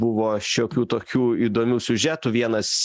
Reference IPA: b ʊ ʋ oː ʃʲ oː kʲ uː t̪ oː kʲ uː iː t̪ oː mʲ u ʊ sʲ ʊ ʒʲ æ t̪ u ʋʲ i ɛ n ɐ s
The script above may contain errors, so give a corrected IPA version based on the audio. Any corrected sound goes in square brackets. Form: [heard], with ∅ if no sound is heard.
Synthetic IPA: b ʊ ʋ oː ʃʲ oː kʲ uː t̪ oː kʲ uː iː [d̪] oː mʲ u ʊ sʲ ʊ ʒʲ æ t̪ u ʋʲ i ɛ n ɐ s